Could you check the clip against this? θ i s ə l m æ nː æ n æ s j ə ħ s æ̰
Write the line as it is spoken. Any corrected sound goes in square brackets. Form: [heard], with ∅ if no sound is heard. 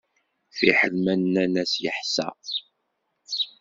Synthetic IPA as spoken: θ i [ħ] ə l m æ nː æ n æ s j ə ħ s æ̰